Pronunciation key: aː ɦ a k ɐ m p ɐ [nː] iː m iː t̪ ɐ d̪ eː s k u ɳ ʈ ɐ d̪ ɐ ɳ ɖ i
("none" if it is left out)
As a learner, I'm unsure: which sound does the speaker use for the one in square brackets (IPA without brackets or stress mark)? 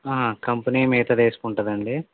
n